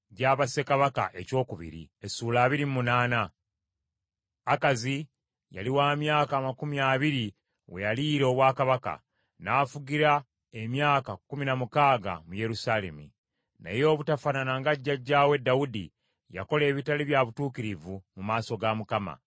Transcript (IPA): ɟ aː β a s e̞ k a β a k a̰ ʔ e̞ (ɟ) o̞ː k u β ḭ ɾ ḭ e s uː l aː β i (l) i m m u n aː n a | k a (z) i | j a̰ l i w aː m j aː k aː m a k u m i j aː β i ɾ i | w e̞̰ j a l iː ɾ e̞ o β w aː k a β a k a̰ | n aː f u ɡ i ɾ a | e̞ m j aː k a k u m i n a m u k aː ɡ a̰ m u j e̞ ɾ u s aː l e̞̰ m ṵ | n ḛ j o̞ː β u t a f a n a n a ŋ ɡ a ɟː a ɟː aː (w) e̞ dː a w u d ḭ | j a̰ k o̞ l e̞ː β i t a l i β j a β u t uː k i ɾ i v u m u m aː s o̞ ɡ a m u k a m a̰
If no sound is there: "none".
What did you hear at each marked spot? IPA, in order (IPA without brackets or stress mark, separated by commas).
c, ɾ, z, w